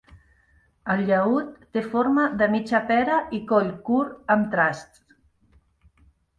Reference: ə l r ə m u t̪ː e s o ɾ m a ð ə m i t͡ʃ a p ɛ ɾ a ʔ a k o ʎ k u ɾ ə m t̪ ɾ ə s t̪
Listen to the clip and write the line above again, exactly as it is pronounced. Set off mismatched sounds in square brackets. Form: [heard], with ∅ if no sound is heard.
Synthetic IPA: ə l [ʎ] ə [∅] u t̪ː e [f] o ɾ m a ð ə m i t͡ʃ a p ɛ ɾ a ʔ [i] k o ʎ k u ɾ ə m t̪ ɾ [a] s t̪